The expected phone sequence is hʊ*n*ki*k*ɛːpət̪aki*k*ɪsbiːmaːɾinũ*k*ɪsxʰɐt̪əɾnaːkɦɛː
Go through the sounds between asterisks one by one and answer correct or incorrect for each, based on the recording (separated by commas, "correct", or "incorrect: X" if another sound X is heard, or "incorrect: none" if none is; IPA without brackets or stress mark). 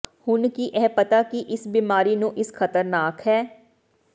correct, incorrect: ʔ, incorrect: ʔ, incorrect: ʔ